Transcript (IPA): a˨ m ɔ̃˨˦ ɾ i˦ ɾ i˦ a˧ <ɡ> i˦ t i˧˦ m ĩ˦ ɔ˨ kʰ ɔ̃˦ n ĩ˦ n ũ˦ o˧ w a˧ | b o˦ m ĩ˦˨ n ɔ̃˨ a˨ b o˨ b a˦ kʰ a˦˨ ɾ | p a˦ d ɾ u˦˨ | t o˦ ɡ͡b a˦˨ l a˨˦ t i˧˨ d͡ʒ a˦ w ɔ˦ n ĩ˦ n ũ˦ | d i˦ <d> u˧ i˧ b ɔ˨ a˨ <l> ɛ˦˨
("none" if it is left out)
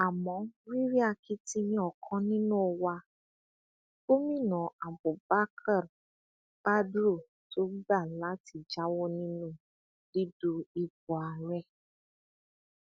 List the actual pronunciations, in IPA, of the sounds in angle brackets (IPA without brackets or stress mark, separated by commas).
k, d, ɾ